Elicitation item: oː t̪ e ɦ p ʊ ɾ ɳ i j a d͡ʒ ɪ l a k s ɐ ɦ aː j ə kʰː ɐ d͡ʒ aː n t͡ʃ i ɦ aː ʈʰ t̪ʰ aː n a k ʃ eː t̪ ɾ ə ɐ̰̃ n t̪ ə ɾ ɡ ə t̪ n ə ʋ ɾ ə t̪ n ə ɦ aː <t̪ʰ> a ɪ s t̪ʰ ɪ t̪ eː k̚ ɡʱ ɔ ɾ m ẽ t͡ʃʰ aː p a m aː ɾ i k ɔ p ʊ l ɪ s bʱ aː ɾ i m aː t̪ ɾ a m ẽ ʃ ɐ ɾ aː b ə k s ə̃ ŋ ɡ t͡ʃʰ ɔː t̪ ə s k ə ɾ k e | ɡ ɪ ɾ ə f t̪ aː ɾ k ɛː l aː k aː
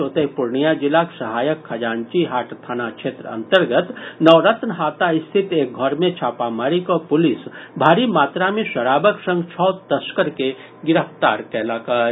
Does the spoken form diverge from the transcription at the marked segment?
yes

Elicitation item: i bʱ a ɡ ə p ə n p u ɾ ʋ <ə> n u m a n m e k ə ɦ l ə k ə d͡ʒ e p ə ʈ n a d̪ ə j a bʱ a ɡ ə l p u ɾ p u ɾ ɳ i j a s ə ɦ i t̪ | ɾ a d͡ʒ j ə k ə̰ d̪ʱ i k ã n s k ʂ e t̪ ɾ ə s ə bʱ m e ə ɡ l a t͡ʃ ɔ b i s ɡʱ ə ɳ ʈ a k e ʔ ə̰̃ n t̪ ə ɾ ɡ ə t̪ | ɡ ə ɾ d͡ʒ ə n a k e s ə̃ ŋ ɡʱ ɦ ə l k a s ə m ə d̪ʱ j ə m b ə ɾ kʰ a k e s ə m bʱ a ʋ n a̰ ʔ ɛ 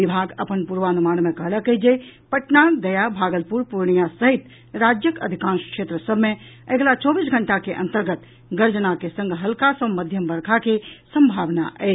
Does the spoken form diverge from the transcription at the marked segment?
yes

